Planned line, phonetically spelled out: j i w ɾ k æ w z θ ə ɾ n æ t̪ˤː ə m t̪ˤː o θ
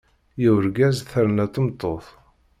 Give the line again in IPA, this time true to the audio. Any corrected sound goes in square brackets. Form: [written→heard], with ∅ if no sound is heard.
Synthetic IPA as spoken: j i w ɾ [k→ɡ] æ [w→∅] z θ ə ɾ n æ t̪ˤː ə m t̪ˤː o θ